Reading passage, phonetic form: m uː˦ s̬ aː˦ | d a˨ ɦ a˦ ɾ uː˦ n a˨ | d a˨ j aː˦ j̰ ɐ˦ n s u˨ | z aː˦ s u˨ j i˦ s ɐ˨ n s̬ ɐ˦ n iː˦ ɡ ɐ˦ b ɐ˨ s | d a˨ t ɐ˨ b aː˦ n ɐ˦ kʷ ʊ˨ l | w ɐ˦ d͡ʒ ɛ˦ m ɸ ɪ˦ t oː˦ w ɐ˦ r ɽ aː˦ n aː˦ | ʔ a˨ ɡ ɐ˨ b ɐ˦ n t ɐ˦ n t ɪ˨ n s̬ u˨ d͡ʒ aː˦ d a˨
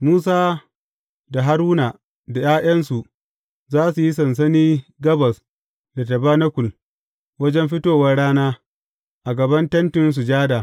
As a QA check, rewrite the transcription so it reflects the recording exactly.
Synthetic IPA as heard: m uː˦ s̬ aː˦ | d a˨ ɦ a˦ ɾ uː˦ n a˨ | d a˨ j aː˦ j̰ ɐ˦ n s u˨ | z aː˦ s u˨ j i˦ s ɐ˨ n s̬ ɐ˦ n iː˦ ɡ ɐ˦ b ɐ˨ s | d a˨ t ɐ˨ b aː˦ n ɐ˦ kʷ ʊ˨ l | w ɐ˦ d͡ʒ ɛ˦ m ɸ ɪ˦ t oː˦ w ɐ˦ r ɽ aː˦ n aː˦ | ʔ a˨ ɡ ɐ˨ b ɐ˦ n t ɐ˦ n t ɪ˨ n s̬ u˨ d͡ʒ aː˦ d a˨